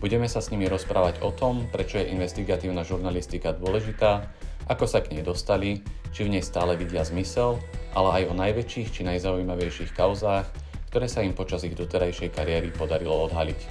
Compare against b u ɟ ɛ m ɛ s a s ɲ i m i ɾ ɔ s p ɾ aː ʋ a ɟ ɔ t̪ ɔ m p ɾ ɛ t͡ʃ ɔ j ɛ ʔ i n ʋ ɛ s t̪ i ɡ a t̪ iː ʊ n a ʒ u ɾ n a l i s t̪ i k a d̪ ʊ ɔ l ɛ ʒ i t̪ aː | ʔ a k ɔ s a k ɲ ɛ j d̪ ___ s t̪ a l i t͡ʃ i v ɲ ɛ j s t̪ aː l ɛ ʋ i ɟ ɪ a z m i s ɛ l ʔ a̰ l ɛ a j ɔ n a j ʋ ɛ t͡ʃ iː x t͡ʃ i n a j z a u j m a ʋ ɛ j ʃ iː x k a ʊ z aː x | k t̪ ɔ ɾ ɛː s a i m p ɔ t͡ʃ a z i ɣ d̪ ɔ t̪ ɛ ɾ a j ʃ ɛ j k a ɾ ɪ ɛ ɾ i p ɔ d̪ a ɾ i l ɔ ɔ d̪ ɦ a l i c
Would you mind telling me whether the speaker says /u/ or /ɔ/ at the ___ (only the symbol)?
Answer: ɔ